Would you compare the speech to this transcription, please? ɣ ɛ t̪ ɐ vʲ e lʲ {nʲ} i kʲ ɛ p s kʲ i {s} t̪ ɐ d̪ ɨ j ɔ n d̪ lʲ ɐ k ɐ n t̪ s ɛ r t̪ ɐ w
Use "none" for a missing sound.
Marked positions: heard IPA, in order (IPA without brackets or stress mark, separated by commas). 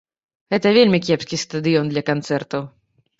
mʲ, s